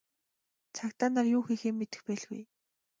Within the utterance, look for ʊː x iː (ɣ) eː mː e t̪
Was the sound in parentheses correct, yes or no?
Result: no